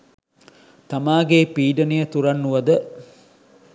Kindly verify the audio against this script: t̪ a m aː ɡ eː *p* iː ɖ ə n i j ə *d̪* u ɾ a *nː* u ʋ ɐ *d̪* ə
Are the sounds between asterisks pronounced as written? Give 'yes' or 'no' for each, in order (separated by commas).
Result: yes, no, yes, yes